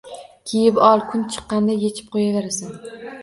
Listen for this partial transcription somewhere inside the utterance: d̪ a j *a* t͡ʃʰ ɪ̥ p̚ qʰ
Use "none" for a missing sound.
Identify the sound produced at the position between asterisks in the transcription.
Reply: e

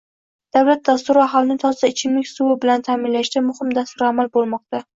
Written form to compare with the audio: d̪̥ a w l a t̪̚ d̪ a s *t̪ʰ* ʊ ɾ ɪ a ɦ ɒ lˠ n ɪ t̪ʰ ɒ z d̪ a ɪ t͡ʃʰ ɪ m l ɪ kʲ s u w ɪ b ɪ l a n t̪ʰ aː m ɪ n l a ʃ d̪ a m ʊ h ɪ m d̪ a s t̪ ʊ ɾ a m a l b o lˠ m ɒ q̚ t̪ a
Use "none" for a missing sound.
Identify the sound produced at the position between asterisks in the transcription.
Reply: t̪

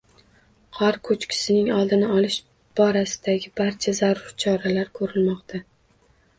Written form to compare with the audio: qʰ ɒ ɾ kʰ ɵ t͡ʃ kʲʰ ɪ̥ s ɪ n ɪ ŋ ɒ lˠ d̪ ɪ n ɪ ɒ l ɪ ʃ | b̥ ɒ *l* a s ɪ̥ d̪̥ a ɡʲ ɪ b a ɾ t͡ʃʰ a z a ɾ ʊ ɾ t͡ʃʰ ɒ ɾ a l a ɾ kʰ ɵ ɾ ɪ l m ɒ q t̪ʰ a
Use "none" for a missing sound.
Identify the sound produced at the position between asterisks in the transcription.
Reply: ɾ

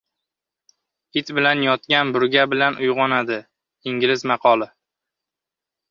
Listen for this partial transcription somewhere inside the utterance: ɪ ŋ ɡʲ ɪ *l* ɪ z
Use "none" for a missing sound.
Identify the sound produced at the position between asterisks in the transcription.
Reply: l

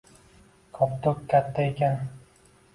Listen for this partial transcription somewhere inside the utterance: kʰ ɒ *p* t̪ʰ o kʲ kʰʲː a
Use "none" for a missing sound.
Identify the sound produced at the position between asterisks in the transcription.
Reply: p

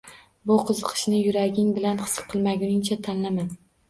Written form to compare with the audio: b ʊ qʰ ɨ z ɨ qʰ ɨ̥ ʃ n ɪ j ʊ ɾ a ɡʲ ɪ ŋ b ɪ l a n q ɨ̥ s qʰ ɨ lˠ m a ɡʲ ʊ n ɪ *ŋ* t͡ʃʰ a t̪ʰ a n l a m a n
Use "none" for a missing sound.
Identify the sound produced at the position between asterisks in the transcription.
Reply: ŋ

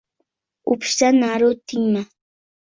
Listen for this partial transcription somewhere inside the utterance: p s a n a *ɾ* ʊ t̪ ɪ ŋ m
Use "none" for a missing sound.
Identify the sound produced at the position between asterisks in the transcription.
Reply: ɾ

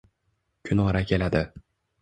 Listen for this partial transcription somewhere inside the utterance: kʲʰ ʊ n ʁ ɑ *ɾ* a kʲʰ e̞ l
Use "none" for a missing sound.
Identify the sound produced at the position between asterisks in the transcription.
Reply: ɾ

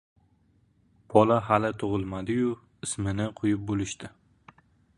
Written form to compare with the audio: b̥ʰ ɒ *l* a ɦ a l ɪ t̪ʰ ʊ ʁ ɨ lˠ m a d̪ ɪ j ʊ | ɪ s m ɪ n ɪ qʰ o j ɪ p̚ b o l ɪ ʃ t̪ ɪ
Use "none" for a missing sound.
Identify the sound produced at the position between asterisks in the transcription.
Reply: l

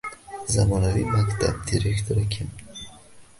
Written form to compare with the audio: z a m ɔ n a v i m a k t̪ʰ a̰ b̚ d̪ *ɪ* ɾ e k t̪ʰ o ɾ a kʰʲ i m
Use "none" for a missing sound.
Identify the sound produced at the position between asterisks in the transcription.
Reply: i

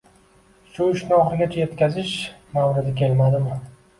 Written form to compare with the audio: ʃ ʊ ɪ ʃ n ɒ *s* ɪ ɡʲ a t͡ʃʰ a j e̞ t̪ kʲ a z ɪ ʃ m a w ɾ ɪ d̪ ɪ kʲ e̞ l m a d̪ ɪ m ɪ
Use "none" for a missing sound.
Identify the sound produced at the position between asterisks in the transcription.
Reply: χ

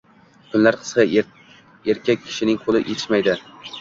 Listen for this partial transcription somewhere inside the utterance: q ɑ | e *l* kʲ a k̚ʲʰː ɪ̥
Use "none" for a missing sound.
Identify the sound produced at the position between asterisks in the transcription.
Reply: ɾ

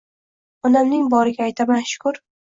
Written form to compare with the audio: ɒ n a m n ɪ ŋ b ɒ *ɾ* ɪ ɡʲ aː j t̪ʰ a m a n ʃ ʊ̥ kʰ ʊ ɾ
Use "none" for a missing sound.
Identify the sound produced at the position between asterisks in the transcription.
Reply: ɾ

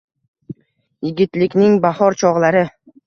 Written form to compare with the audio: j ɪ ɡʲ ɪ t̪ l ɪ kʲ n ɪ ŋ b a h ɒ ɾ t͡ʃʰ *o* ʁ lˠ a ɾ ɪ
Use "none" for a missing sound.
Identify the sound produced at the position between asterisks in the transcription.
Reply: ɒ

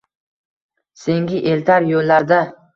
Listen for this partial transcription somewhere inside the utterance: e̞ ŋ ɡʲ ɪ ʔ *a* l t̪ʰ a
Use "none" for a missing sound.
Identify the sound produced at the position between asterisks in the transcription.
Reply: e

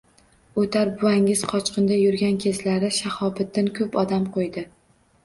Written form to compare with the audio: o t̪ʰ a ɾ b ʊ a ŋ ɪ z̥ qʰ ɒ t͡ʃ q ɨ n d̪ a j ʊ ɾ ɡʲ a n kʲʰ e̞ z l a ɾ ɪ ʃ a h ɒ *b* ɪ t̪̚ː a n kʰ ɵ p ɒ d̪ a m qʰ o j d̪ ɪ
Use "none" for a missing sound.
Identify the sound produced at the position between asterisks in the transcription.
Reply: b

